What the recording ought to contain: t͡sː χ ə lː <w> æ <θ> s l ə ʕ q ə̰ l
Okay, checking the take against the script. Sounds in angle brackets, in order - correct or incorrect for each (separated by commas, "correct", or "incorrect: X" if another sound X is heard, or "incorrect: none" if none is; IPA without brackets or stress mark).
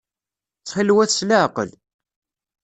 correct, correct